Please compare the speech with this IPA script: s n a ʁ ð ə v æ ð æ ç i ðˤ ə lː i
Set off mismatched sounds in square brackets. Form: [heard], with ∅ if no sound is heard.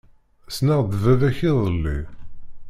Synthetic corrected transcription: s n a ʁ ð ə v æ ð æ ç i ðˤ ə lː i

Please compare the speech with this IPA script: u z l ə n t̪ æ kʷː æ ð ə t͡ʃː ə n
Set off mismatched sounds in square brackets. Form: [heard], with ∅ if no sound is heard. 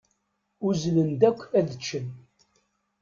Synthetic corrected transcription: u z l ə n [d̪] æ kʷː æ ð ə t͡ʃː ə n

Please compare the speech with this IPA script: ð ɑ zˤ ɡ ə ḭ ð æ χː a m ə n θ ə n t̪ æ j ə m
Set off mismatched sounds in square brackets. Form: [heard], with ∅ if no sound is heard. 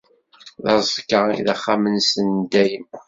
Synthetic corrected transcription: ð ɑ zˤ [k] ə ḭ ð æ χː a m ə n [s] ə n [d̪] æ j ə m

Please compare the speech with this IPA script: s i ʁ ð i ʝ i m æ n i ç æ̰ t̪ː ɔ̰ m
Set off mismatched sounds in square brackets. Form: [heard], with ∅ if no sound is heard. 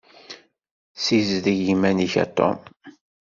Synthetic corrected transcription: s i [z] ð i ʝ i m æ n i ç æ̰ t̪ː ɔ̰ m

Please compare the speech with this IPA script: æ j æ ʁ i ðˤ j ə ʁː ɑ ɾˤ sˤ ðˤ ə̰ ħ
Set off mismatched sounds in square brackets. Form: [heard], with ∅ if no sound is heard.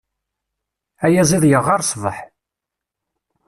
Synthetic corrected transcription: æ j æ [z] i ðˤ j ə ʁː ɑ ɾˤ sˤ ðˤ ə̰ ħ

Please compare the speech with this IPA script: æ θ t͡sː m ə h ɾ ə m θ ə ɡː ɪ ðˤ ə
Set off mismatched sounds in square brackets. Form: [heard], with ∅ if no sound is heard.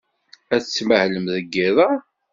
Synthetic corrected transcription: æ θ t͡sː m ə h [l] ə m [ð] ə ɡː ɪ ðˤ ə

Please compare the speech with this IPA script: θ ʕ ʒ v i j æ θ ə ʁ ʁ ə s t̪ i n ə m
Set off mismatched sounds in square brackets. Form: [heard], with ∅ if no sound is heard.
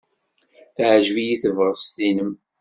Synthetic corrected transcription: θ ʕ ʒ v i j [i] θ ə [v] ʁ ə s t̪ i n ə m

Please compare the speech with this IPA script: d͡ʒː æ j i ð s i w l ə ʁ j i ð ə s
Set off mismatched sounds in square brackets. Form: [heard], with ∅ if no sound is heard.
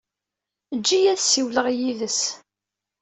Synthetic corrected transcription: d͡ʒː [i] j [æ] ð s i w l ə ʁ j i ð ə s

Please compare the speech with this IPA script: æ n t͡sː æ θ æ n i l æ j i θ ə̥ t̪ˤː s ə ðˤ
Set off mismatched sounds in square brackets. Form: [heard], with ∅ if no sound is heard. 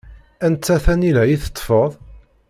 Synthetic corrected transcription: æ n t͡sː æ θ æ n i l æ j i θ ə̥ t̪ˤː [f] ə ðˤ

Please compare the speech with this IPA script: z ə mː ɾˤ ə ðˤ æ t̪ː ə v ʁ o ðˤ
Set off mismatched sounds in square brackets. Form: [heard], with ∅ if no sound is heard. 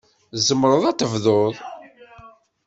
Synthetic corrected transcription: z ə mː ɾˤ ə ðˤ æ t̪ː ə v [ð] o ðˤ

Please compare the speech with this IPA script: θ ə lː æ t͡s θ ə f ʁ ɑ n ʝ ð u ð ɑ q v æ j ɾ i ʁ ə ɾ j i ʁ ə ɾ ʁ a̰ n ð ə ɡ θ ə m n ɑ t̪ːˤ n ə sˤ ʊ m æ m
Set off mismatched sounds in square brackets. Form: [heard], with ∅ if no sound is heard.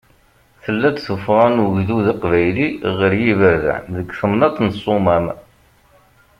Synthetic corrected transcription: θ ə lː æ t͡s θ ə f ʁ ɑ n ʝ ð u ð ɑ q v æ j [l] i ʁ ə ɾ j i [v] ə ɾ [ð] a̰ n ð ə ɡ θ ə m n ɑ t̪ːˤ n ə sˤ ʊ m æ m

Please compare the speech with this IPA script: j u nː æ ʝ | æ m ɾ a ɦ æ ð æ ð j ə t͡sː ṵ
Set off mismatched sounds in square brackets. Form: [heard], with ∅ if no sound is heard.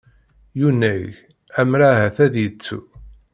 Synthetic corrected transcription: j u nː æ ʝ | æ m ɾ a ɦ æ [θ] æ ð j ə t͡sː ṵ

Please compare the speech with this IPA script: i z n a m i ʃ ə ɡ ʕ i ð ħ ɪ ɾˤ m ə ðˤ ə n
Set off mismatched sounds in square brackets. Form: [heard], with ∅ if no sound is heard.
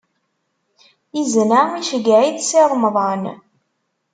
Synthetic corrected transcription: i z n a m i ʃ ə ɡ ʕ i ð [s] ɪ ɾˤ m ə ðˤ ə n

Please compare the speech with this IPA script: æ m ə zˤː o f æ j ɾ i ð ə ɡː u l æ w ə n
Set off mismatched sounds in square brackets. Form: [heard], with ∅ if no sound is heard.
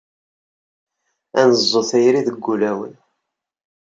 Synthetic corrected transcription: æ [n] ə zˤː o [θ] æ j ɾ i ð ə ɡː u l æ w ə n

